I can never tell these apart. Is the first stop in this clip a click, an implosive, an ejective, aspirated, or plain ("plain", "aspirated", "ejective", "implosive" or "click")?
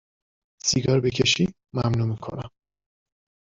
plain